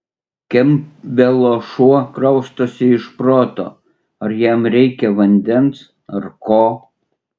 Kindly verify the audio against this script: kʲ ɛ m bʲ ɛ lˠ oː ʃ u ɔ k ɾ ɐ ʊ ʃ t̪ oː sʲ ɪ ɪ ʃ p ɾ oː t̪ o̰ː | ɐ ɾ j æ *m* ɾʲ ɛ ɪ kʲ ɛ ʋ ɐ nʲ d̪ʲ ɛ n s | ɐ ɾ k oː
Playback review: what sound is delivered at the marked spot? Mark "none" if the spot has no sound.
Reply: m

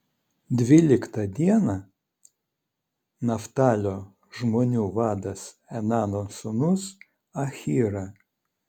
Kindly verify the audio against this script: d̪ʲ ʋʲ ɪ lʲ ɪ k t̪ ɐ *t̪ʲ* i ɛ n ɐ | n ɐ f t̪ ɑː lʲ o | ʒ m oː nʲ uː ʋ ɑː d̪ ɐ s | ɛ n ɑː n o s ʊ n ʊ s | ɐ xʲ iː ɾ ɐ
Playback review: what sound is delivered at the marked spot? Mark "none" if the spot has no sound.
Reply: d̪ʲ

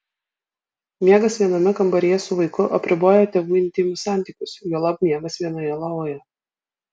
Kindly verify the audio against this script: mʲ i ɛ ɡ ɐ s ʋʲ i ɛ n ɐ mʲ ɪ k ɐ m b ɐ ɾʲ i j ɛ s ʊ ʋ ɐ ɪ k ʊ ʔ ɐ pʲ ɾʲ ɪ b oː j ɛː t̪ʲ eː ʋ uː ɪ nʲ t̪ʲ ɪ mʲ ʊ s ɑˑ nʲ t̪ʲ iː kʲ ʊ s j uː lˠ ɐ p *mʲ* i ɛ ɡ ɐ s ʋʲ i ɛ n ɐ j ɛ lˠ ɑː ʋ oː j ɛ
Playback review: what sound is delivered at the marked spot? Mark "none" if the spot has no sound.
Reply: mʲ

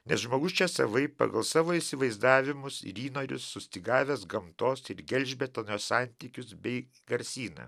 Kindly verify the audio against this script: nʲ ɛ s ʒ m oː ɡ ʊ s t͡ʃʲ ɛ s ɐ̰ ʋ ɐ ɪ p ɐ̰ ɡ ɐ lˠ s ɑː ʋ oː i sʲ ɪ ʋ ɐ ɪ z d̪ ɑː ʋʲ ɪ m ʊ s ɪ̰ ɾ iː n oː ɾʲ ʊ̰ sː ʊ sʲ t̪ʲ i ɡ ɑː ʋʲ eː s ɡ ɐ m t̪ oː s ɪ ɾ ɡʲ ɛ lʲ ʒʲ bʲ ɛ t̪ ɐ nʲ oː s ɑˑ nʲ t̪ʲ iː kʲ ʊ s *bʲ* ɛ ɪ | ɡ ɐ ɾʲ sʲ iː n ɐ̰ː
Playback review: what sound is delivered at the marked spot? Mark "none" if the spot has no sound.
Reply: bʲ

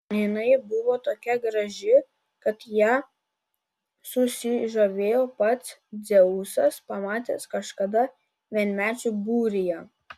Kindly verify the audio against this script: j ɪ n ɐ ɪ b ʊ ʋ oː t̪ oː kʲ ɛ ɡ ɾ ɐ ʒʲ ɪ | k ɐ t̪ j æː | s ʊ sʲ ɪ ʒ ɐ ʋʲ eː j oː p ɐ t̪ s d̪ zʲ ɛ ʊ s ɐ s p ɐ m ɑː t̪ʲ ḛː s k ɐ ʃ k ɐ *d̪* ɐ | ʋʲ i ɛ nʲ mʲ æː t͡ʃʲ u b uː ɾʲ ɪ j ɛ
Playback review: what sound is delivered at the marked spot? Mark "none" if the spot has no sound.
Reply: d̪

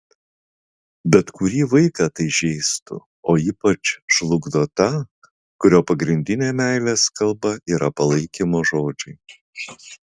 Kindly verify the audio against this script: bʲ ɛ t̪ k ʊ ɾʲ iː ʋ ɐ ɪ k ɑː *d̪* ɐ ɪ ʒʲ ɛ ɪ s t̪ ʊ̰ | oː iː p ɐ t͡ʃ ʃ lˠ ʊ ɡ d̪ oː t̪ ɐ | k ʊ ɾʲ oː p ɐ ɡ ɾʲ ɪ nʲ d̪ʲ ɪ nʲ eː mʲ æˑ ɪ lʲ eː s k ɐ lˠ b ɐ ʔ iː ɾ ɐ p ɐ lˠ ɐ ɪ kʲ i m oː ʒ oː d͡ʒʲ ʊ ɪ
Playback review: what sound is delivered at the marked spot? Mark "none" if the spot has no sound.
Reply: t̪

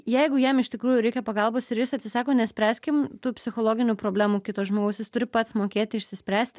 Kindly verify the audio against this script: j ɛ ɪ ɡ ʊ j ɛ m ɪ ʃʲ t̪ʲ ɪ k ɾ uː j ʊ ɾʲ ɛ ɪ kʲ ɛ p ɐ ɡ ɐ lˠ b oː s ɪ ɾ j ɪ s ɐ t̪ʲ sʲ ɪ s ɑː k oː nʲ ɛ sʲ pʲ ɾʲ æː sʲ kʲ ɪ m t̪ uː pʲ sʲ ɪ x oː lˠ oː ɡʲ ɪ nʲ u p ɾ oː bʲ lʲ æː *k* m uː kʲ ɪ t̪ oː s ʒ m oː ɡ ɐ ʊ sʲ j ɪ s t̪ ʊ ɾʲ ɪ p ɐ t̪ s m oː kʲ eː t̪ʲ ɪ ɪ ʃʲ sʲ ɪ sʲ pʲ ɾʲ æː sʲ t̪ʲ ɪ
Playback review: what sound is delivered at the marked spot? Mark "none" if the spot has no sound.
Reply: none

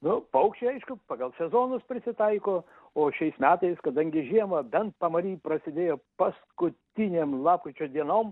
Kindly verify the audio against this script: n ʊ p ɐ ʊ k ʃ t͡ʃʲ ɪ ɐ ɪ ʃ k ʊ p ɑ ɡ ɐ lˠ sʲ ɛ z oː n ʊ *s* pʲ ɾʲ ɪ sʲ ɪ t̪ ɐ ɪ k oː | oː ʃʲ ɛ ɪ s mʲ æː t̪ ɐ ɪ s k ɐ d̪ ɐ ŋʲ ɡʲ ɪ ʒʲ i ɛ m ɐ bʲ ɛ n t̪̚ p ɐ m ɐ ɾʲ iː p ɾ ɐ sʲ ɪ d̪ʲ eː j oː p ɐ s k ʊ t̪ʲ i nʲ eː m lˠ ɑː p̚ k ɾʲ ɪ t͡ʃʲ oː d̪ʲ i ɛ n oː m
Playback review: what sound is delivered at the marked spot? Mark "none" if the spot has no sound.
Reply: s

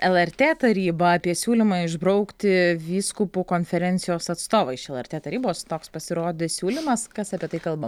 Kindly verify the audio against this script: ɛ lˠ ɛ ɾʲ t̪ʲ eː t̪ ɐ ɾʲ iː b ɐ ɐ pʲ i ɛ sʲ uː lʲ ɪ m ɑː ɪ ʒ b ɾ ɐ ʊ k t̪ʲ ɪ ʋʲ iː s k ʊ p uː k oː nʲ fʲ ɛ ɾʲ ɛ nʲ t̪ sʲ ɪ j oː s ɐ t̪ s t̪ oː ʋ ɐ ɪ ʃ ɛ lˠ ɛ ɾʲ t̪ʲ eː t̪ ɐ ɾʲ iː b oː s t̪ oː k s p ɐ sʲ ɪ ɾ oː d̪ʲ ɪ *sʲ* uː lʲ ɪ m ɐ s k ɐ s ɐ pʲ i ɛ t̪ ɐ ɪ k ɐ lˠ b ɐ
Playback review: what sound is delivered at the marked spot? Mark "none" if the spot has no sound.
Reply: sʲ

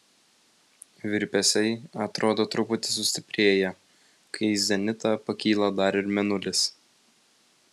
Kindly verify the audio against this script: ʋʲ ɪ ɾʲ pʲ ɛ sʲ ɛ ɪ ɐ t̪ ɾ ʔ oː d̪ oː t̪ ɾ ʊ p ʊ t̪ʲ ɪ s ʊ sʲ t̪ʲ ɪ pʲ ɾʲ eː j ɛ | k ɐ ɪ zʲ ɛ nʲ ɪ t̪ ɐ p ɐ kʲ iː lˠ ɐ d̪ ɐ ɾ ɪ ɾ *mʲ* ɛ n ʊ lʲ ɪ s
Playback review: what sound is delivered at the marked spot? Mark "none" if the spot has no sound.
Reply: mʲ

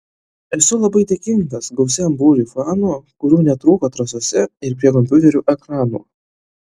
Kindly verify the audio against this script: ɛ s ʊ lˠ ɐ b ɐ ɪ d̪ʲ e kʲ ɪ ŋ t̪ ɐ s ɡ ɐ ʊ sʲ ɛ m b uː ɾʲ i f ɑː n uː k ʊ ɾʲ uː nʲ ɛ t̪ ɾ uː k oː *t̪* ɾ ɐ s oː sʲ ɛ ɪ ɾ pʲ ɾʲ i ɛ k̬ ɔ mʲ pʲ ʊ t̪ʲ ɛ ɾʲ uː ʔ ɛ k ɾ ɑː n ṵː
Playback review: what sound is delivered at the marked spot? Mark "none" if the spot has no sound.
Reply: t̪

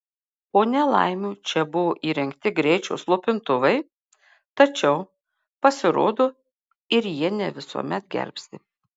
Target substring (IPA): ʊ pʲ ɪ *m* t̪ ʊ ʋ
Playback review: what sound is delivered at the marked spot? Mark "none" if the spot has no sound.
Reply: n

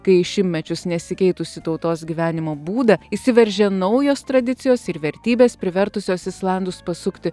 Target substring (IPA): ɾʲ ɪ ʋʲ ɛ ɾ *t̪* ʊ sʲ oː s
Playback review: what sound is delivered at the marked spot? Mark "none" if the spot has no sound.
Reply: t̪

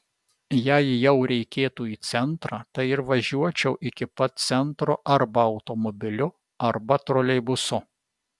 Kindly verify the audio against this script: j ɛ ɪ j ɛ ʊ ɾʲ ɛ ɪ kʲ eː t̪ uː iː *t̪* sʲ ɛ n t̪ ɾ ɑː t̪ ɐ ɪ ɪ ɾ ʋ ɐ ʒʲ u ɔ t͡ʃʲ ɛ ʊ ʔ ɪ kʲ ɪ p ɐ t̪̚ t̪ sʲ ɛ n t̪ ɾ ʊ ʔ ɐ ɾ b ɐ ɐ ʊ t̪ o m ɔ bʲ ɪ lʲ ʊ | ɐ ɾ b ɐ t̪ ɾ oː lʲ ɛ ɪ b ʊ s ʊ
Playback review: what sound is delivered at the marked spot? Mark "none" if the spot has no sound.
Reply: t̪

